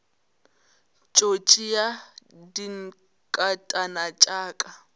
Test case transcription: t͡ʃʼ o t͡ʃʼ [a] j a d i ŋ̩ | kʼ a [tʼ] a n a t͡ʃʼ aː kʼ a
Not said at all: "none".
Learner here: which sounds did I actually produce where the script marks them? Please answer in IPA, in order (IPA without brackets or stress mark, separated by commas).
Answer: i, tʼ